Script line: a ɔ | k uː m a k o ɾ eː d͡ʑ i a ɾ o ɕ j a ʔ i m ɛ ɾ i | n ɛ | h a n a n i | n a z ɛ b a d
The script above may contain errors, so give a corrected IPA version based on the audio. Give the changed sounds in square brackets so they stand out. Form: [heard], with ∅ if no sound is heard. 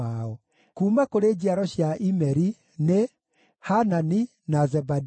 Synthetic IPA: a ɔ | k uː m a k o ɾ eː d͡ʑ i a ɾ [ɔ] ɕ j a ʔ i m ɛ ɾ i | n [e] | h a n a n i | n a z ɛ b a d